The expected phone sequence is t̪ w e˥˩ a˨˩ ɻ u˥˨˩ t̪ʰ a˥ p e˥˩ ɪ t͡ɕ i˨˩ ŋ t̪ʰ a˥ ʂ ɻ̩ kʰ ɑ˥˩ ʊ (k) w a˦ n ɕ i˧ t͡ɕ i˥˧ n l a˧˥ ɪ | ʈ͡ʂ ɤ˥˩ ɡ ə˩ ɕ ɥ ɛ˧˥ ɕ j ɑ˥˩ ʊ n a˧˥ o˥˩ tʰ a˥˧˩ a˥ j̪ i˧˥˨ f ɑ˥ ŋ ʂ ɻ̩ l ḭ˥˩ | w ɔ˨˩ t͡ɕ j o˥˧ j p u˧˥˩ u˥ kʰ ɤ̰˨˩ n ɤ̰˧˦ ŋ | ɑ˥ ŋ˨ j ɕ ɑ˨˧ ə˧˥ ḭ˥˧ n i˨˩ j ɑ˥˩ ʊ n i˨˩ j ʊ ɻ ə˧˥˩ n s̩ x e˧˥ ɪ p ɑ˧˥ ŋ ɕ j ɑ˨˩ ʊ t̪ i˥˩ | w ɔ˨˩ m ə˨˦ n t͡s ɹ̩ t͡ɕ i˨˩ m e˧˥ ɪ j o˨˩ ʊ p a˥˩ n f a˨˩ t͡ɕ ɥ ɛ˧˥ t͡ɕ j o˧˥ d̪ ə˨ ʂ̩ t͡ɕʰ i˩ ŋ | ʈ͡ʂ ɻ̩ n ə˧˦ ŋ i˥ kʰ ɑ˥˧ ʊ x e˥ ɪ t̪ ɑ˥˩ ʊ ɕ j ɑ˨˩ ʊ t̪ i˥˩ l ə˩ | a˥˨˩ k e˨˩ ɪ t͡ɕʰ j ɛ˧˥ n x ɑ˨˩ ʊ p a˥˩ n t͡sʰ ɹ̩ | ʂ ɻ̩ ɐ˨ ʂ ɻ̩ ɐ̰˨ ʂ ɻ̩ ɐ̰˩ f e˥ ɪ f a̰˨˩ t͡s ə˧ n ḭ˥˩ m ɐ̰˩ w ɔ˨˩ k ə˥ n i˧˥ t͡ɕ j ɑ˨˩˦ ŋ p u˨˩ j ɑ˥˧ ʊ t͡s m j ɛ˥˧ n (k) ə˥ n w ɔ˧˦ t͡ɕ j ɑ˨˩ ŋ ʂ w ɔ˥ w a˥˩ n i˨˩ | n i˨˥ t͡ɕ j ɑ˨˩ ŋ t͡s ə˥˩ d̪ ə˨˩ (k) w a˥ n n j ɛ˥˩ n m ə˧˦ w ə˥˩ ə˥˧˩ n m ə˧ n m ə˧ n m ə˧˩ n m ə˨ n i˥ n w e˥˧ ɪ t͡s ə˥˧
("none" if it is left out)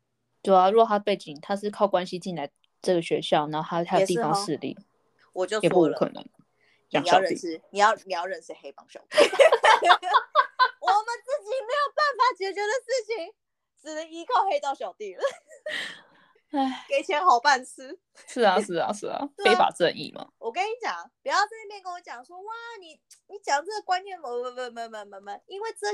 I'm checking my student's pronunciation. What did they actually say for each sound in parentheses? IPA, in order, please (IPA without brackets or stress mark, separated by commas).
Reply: k, k, k